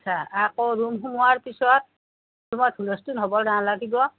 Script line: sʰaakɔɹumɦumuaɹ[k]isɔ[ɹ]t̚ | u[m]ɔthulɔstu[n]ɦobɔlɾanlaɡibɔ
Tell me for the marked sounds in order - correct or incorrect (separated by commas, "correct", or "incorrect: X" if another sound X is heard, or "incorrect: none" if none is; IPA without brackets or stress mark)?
incorrect: p, incorrect: none, correct, correct